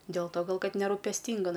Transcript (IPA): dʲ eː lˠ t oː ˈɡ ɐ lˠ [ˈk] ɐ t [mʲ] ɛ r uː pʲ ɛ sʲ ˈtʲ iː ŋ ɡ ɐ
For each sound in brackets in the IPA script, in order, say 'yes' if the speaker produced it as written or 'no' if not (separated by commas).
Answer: yes, no